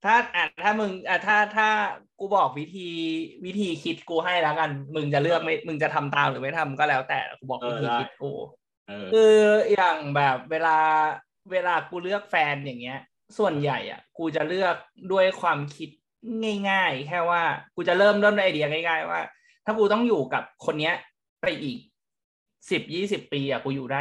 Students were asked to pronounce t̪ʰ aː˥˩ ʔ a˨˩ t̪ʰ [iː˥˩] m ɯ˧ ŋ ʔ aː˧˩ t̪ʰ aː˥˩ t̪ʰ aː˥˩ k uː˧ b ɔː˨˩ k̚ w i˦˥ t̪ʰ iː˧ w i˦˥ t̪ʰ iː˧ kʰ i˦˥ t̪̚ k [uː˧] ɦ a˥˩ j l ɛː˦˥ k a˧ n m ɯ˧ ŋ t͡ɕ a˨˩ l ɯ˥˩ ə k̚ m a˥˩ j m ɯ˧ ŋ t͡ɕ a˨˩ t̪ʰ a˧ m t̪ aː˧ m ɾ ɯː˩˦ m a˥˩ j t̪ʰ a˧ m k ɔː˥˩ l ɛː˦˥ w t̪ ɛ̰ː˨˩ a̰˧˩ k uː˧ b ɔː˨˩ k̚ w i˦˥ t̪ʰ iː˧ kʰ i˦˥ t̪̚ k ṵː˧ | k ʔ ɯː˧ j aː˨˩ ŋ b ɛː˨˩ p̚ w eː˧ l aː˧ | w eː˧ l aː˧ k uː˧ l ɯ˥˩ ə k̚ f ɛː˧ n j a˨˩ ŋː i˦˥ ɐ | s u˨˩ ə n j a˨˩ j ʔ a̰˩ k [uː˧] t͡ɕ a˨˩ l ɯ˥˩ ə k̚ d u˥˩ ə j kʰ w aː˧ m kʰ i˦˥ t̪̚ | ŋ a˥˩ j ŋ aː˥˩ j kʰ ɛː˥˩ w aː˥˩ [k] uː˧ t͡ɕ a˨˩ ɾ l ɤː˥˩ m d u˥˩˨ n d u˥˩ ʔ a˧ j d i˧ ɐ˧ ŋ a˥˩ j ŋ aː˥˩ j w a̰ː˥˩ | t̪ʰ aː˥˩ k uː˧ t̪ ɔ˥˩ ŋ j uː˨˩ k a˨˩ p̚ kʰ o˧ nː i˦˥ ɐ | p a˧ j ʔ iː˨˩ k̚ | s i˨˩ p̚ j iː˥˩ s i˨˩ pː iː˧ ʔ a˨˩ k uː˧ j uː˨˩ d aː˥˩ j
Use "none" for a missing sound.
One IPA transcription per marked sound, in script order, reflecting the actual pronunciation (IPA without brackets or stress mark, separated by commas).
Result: aː˥˩, uː˧, uː˧, k